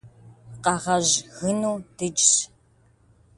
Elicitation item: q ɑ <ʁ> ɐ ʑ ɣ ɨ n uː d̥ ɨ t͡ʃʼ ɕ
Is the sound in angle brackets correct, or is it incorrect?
correct